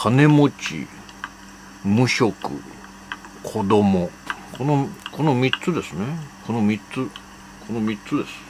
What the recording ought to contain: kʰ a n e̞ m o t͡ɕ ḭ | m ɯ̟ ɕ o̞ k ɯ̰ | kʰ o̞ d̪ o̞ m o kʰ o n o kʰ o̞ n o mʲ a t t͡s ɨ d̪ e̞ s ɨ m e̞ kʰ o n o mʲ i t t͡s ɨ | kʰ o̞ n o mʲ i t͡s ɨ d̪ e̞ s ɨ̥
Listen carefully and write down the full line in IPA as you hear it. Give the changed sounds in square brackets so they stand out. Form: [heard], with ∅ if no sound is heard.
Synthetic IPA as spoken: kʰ a n e̞ m o t͡ɕ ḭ | m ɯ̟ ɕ o̞ k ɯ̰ | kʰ o̞ d̪ o̞ m o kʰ o n o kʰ o̞ n o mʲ [i] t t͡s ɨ d̪ e̞ s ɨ [n] e̞ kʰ o n o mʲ i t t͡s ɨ | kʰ o̞ n o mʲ i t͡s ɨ d̪ e̞ s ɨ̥